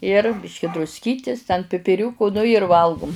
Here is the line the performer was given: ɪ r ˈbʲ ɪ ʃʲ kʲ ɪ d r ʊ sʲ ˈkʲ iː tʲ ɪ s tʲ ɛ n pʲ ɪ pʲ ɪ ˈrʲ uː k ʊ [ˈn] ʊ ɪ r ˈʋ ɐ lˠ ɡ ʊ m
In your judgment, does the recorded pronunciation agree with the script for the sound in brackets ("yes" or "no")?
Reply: yes